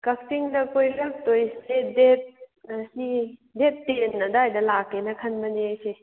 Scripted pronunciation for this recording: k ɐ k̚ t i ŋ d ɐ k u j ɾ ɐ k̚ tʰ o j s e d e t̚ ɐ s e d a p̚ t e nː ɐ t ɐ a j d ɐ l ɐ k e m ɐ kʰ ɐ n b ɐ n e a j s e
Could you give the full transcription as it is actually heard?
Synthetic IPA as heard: k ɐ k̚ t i ŋ d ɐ k o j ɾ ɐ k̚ t o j s e d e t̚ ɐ s i d e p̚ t e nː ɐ d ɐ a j d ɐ l a k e n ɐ kʰ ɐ n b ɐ n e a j s e